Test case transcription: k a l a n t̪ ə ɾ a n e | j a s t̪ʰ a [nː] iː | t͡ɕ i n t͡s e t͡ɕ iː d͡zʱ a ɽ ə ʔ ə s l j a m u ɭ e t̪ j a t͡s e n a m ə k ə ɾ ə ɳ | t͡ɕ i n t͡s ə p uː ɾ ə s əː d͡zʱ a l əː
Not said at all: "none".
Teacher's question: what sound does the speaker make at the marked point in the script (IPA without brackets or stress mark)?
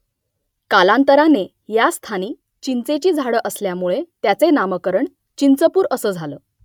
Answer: n